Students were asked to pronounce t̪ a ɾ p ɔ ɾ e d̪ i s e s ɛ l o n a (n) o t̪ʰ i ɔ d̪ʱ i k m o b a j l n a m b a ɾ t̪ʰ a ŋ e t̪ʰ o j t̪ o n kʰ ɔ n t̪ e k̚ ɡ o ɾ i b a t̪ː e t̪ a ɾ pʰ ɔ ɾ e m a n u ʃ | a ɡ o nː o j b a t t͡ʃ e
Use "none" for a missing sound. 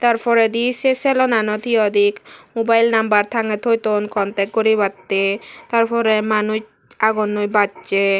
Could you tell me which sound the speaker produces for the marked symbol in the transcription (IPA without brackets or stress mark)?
n